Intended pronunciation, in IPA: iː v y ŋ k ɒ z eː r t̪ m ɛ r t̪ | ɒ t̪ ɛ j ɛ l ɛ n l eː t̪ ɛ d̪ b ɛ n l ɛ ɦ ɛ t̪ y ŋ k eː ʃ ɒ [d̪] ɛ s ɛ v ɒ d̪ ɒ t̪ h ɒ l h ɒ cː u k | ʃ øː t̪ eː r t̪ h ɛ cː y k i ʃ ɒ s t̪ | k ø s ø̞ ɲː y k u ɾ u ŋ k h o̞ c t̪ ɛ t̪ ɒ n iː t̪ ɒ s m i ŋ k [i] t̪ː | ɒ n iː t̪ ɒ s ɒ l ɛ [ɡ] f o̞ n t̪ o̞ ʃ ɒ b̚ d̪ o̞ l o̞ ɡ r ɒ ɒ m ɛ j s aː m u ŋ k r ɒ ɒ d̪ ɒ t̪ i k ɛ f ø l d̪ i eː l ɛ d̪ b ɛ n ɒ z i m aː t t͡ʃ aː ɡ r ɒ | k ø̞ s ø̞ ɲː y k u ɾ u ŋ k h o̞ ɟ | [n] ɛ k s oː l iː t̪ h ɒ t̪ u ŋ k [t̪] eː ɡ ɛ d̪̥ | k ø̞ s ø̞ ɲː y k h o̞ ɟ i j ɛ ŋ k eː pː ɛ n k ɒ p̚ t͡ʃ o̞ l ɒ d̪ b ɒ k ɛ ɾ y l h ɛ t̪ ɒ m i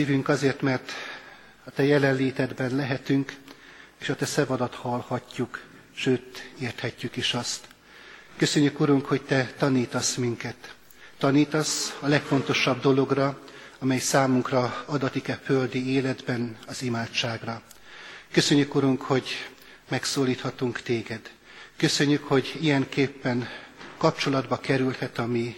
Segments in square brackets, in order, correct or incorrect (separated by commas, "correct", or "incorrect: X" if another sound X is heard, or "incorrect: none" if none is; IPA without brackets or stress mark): incorrect: t̪, incorrect: ɛ, incorrect: k, incorrect: m, correct